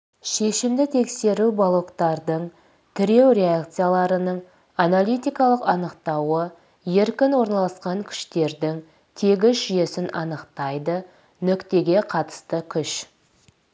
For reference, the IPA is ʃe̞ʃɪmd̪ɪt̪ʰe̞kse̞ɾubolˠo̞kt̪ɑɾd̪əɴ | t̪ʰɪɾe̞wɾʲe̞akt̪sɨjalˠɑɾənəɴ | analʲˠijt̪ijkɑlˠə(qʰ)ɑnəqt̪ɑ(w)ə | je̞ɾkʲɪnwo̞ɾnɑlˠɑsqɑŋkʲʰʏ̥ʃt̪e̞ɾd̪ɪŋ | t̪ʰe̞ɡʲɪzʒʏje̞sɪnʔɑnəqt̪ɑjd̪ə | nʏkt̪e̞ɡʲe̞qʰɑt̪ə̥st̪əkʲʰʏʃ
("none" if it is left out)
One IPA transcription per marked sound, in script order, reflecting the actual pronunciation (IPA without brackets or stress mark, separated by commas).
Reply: q, w